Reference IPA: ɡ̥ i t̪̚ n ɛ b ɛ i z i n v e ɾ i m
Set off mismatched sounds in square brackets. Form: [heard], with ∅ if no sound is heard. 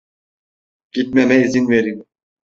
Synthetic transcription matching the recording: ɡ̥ i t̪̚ [m] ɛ [m] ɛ i z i n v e ɾ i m